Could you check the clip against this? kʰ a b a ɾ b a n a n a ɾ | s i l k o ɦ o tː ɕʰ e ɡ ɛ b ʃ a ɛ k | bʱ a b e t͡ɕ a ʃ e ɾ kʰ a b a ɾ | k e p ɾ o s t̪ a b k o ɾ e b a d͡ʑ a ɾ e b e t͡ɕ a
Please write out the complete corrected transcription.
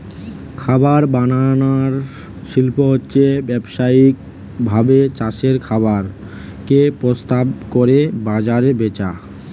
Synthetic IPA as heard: kʰ a b a ɾ b a n a n a ɾ | ʃ i l p o ɦ o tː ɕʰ e b ɛ b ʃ a i k | bʱ a b e t͡ɕ a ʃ e ɾ kʰ a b a ɾ | k e p ɾ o s t̪ a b k o ɾ e b a d͡ʑ a ɾ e b e t͡ɕ a